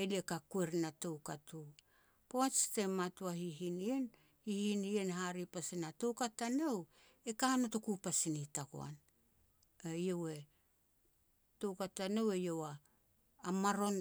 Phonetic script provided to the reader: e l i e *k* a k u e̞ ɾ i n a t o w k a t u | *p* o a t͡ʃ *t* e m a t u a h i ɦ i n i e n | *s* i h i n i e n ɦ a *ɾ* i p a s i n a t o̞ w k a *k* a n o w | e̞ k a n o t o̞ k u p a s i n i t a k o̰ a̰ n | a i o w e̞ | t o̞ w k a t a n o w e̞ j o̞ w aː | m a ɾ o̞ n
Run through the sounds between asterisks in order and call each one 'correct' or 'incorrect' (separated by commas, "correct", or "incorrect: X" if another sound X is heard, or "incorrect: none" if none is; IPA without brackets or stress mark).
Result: correct, correct, correct, incorrect: h, correct, incorrect: t